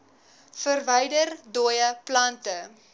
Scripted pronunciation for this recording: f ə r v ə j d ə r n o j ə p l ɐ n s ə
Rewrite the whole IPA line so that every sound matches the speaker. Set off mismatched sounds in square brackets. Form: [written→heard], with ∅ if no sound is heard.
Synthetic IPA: f ə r v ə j d ə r [n→d] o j ə p l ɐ n [s→t] ə